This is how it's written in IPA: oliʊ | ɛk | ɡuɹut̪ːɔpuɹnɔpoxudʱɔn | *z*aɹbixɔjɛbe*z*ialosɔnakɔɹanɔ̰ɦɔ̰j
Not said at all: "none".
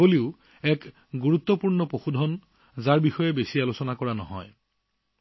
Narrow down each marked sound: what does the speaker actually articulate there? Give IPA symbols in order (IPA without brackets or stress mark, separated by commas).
z, s